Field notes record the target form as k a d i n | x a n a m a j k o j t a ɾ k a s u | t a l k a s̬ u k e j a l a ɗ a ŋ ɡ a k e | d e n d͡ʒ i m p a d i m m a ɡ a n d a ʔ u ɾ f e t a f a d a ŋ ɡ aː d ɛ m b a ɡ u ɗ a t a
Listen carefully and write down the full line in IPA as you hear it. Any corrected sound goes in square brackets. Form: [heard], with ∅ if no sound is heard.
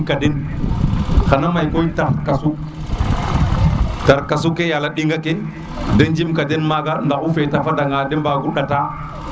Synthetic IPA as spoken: k a d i n | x a n a m a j k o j t a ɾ k a s u | t a [ɾ] k a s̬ u k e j a l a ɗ [i] ŋ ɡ a k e | d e n d͡ʒ i m [k] a d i [n] m a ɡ a n d a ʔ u [∅] f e t a f a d a ŋ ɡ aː d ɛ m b a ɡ u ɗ a t a